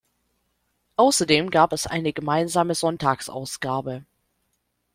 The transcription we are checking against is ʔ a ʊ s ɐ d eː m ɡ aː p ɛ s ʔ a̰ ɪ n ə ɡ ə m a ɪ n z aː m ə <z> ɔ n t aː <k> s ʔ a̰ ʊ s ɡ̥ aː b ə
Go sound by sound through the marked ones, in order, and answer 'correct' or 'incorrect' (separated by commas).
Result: correct, correct